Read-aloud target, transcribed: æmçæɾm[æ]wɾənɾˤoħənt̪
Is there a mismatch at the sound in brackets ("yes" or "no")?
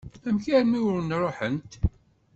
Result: yes